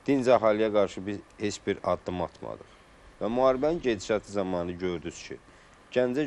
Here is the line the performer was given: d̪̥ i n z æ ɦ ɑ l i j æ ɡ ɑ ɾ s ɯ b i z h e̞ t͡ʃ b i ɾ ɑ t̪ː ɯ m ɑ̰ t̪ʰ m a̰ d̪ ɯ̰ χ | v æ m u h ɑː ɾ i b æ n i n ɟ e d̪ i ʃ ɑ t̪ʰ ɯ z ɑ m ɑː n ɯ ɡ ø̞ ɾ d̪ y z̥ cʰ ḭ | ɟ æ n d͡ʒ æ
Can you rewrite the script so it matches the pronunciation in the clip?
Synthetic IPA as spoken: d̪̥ i n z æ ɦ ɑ l i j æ ɡ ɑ ɾ ʃ ɯ b i z h e̞ t͡ʃ b i ɾ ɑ d̪ː ɯ m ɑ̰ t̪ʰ m ɑ̰ d̪ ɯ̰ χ | v æ m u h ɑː ɾ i b æ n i n ɟ e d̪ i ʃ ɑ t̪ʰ ɯ z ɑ m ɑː n ɯ ɟ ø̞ ɾ d̪ y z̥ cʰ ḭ | ɟ æ n d͡ʒ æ